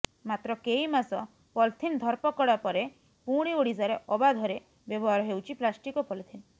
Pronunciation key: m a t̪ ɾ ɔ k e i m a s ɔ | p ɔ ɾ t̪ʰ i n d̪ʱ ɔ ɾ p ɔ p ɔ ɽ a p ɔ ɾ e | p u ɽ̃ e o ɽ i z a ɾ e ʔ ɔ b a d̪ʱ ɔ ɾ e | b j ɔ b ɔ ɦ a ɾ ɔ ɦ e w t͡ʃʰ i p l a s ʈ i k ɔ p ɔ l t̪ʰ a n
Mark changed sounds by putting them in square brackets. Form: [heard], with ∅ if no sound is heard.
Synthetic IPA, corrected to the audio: m a t̪ ɾ ɔ k e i m a s ɔ | p ɔ [l] t̪ʰ i n d̪ʱ ɔ ɾ p ɔ [k] ɔ ɽ a p ɔ ɾ e | p u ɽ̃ [i] o ɽ i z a ɾ e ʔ ɔ b a d̪ʱ ɔ ɾ e | b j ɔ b ɔ ɦ a ɾ ɔ ɦ e w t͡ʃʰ i p l a s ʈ i k ɔ p ɔ l t̪ʰ [i] n